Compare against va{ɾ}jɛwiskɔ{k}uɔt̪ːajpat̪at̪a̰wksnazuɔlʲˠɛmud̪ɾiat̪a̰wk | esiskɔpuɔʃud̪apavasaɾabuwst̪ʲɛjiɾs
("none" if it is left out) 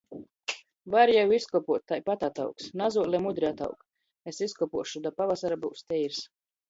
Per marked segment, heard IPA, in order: ɾ, p

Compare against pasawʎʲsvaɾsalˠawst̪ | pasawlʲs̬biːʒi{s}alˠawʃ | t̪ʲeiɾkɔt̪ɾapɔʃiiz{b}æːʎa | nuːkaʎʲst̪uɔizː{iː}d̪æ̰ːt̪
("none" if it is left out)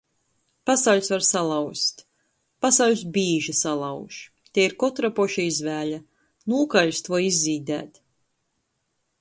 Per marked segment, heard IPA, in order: s, v, iː

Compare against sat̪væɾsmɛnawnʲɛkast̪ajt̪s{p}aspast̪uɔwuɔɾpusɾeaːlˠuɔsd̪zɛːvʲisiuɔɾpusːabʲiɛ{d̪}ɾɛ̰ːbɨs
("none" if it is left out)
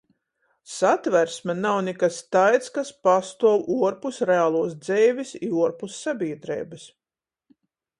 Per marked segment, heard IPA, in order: k, d̪

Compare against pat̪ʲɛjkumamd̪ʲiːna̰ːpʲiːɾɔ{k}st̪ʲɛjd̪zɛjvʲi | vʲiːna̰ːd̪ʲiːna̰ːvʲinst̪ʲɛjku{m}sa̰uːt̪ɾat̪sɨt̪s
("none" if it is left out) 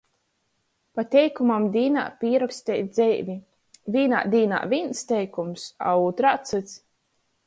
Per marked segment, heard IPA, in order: k, m

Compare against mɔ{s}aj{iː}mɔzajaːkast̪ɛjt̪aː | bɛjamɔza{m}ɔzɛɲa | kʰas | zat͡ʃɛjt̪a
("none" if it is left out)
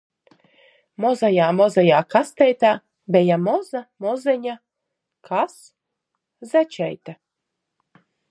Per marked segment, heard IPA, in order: z, aː, m

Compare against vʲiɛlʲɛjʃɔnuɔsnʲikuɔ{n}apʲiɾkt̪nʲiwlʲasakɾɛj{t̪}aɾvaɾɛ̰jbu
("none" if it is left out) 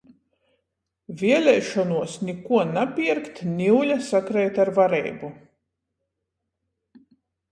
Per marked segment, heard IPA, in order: n, t̪

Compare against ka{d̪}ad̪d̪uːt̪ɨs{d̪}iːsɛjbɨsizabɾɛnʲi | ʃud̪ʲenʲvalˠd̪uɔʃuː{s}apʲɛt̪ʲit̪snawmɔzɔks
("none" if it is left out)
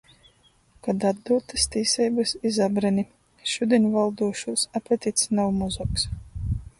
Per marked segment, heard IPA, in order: d̪, t̪, s

